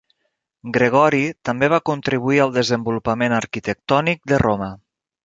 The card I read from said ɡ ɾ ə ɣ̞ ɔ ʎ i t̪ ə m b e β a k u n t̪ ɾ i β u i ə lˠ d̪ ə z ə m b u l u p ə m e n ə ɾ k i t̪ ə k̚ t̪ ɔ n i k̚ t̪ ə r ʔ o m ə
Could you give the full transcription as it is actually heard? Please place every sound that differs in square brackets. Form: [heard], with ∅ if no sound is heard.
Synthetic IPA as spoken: ɡ ɾ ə ɣ̞ ɔ [ɾ] i t̪ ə m b e β a k u n t̪ ɾ i β u i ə lˠ d̪ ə z ə m b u l u p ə m e n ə ɾ k i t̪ ə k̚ t̪ ɔ n i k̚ [d̪] ə r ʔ o m ə